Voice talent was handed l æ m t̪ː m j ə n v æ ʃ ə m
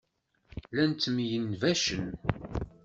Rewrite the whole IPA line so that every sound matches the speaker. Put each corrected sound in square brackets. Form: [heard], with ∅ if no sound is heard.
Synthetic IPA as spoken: l æ [n] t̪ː m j ə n v æ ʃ ə [n]